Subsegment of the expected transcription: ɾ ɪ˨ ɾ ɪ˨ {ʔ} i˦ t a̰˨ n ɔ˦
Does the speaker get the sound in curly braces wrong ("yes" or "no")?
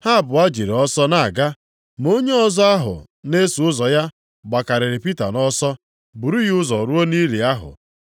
yes